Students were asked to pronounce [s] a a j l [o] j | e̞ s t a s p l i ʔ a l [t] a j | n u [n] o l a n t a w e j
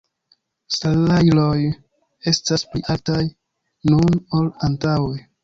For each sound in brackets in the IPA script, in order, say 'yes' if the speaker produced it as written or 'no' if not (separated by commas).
yes, yes, yes, yes